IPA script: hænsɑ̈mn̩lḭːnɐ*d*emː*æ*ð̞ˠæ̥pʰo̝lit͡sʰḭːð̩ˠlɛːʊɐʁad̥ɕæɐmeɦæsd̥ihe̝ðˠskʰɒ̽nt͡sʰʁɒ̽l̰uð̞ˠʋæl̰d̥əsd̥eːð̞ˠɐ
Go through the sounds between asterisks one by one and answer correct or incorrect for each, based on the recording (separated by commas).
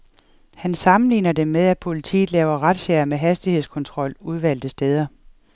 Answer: correct, incorrect